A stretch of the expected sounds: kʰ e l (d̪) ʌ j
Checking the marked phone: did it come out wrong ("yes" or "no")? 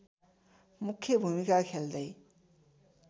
no